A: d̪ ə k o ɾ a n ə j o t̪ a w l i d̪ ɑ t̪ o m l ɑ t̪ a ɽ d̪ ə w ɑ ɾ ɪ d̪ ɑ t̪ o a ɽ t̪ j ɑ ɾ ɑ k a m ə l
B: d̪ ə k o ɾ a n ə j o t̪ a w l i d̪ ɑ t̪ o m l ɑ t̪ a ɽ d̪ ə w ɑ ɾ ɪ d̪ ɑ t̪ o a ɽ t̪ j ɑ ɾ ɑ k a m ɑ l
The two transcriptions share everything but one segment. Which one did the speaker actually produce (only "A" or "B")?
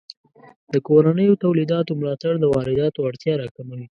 A